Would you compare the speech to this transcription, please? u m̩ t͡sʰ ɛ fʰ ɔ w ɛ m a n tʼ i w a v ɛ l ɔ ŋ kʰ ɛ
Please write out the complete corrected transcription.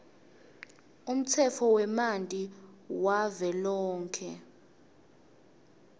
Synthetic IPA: u m̩ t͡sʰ ɛ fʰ ɔ w ɛ m a n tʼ i w a v ɛ l ɔː ŋ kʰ ɛ